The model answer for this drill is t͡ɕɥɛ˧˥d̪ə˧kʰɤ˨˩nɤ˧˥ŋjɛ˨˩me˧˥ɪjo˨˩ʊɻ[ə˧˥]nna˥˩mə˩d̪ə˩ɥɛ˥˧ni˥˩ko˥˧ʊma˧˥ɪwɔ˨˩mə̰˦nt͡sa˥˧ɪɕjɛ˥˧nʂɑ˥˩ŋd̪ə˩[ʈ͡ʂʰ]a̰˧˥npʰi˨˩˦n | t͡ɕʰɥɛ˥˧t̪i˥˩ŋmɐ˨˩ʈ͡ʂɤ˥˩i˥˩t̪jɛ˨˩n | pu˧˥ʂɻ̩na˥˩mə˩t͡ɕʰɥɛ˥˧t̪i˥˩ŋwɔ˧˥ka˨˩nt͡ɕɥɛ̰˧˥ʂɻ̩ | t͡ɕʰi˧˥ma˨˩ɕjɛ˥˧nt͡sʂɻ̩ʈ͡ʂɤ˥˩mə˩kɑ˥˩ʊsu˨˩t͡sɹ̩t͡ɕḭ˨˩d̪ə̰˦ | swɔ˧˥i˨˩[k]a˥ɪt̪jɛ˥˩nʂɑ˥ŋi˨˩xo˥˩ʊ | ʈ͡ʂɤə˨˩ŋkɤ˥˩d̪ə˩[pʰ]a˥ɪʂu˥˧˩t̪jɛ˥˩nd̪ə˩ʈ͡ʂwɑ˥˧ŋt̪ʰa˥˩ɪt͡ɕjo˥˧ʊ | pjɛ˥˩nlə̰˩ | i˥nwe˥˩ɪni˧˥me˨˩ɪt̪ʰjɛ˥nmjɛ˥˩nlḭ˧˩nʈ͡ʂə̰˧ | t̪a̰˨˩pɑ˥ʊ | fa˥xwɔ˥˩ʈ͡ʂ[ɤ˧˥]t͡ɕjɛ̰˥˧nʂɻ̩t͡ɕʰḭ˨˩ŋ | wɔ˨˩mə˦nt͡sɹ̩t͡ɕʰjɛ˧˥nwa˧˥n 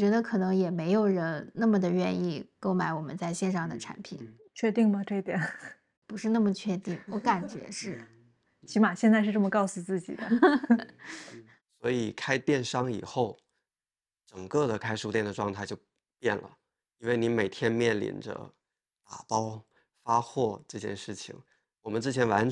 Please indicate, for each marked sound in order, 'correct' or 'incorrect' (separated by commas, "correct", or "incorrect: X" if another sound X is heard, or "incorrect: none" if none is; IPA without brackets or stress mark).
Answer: correct, correct, incorrect: kʰ, incorrect: kʰ, incorrect: ɤ˥˧